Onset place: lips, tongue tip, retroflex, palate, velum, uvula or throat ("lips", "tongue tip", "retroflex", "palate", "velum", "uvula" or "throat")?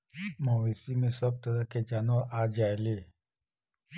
lips